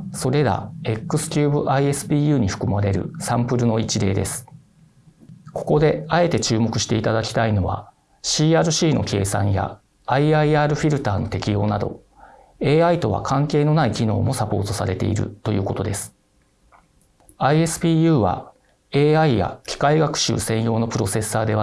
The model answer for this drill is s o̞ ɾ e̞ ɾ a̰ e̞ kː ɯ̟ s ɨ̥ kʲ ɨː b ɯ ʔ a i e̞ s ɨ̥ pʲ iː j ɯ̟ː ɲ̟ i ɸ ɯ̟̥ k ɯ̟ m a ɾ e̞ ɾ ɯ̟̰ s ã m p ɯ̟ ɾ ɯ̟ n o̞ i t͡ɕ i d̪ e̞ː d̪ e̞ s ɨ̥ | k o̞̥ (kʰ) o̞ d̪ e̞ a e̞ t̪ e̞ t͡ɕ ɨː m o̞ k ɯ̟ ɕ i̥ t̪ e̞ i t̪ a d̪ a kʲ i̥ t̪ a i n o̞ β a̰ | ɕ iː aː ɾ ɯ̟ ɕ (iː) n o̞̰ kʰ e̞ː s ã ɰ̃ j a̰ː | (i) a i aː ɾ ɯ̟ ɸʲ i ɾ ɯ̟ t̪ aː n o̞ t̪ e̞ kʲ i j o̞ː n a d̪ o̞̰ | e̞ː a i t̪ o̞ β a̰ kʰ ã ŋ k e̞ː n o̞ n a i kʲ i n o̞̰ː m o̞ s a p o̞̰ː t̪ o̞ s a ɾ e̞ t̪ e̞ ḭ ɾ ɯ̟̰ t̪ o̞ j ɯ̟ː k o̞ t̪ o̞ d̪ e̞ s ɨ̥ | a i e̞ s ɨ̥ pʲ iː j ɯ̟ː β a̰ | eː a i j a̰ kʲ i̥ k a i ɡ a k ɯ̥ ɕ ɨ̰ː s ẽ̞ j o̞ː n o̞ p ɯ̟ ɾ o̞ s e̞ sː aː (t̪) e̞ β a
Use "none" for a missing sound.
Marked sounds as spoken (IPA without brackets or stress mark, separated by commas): k, iː, i, d̪